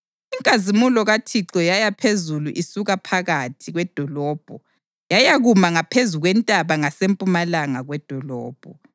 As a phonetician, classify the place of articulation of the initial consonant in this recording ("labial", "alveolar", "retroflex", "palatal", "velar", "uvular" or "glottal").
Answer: velar